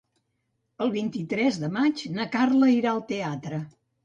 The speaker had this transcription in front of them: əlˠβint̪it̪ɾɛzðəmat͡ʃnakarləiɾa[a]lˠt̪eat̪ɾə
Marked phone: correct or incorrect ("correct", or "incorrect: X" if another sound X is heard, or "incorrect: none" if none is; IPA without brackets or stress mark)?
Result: incorrect: ə